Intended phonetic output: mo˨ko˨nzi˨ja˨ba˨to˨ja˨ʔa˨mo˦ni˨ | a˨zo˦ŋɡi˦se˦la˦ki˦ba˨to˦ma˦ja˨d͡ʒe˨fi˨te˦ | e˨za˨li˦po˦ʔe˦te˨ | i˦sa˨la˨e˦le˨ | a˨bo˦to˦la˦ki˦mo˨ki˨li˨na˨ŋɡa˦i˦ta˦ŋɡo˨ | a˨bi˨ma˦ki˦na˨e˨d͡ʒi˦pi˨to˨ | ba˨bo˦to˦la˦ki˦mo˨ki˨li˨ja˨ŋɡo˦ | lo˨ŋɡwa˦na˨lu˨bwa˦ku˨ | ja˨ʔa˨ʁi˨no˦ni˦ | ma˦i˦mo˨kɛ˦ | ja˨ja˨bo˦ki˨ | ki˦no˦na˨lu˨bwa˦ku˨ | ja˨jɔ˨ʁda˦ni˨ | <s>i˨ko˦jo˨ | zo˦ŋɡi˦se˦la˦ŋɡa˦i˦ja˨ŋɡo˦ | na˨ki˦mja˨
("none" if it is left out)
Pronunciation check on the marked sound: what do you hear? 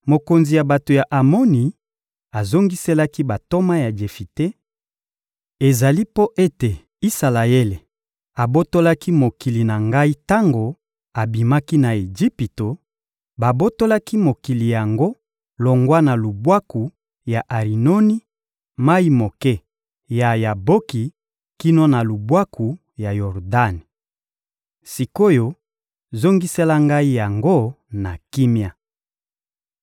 s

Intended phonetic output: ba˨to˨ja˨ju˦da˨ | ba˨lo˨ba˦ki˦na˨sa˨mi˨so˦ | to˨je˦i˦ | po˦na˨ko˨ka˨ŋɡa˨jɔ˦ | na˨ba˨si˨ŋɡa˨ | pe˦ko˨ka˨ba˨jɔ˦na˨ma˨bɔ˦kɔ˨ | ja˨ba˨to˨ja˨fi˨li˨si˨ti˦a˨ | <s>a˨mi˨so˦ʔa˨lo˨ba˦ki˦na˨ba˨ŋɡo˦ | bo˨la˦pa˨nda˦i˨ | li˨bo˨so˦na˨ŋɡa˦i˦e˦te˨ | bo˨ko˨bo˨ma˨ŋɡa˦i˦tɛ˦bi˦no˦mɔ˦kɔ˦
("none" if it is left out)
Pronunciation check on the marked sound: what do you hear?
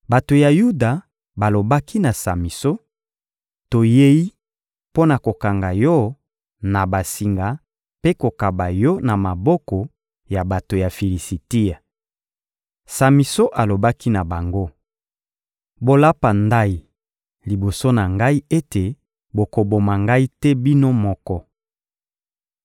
s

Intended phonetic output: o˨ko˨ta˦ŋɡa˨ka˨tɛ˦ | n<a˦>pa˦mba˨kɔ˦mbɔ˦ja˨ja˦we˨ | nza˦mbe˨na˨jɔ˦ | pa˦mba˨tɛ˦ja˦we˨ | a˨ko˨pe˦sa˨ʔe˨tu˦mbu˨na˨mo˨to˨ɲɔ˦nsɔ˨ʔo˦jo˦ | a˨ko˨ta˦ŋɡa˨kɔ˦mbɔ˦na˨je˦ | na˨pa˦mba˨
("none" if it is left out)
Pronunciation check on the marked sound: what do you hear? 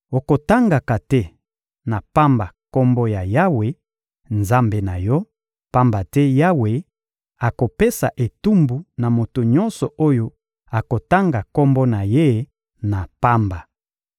a˨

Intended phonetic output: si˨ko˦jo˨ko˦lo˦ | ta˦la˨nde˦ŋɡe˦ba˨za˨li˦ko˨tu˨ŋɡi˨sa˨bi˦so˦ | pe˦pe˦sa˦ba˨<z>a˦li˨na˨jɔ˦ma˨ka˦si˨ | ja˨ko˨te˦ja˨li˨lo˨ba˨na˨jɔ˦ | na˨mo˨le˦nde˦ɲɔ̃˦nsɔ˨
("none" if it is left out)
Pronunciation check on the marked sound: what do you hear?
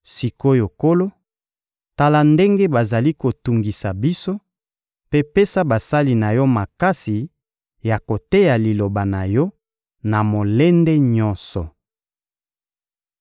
s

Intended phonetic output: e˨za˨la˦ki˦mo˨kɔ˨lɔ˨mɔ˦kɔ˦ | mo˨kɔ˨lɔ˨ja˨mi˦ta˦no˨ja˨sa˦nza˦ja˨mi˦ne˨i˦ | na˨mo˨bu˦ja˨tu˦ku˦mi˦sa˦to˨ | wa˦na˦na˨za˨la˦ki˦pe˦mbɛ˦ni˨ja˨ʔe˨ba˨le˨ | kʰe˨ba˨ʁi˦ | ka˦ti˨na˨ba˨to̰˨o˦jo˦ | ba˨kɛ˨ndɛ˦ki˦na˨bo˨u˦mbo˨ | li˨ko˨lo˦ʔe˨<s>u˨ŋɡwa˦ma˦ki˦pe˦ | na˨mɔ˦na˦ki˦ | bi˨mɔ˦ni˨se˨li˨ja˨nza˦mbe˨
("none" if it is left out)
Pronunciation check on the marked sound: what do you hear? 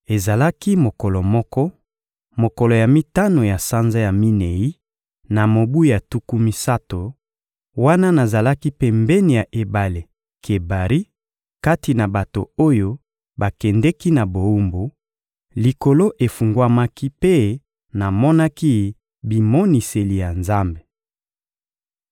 f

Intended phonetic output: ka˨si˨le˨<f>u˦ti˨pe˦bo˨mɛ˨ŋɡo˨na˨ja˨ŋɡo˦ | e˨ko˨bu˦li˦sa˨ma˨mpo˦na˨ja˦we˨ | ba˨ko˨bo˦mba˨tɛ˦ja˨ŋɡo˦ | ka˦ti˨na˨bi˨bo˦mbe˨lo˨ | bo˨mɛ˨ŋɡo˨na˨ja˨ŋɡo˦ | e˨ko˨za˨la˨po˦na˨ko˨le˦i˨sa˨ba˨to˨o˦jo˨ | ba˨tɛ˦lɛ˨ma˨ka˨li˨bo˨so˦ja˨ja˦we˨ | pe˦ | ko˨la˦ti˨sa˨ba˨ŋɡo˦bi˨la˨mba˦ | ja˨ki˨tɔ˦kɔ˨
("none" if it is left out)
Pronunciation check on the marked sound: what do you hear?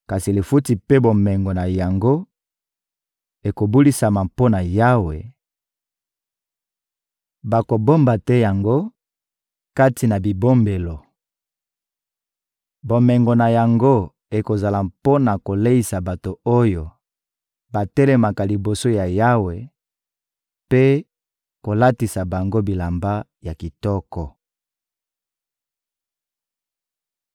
f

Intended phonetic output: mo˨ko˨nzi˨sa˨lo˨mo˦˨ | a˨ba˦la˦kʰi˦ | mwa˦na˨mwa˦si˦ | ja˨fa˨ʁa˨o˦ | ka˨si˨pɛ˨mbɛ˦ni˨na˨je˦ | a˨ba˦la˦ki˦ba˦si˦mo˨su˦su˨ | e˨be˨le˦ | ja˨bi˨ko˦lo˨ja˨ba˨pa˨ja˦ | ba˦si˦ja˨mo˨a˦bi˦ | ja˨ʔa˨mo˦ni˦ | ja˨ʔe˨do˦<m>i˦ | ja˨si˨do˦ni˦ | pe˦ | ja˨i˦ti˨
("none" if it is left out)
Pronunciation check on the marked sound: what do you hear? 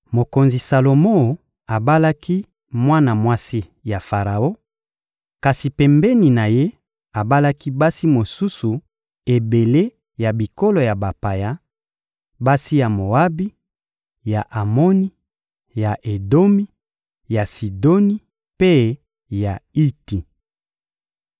m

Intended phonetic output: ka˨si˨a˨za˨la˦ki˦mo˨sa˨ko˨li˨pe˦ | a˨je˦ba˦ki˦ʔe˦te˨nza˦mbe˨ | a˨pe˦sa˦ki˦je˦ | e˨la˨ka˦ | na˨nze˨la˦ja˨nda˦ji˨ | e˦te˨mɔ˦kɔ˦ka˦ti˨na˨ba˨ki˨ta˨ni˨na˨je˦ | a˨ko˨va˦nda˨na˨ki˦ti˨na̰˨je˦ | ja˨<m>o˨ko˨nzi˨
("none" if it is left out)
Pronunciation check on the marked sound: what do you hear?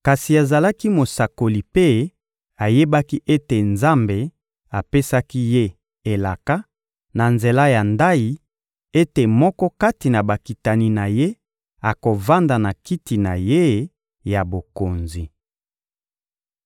b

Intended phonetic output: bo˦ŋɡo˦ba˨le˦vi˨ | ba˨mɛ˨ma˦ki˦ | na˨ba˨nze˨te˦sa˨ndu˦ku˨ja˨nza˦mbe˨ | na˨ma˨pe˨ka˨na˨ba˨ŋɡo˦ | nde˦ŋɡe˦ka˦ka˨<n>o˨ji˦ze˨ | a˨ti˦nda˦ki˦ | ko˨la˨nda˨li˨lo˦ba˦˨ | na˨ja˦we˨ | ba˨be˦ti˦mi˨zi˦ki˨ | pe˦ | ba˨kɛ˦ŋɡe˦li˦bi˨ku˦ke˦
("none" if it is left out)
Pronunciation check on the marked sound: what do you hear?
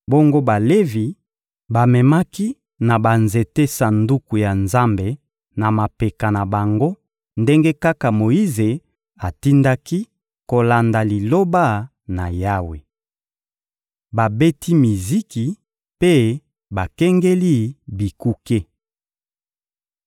m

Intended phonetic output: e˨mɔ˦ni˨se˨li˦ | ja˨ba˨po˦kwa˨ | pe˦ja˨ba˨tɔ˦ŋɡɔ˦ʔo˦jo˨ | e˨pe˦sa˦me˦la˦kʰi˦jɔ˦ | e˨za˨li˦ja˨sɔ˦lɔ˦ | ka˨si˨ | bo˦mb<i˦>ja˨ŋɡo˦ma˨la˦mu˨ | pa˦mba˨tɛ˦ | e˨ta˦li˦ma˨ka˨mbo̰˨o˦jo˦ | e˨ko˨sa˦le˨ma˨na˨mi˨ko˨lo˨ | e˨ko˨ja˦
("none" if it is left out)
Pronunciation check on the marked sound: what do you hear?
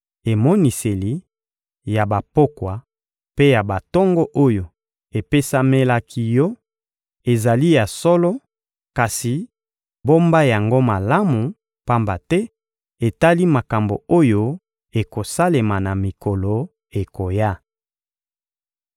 a˦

